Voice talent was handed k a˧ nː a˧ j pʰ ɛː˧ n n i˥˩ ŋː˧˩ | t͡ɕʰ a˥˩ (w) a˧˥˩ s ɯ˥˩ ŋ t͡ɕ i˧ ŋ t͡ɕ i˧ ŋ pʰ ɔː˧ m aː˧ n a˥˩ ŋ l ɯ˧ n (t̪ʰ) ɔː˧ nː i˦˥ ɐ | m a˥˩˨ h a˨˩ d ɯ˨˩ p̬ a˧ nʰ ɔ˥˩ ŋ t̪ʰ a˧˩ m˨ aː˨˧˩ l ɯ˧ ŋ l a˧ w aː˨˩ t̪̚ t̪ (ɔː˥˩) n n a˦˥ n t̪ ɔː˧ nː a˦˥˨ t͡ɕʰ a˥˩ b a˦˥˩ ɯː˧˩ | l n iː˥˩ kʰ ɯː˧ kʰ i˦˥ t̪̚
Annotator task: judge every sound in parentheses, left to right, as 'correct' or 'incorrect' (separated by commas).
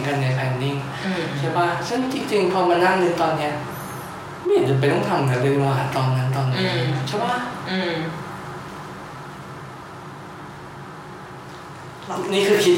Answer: incorrect, incorrect, incorrect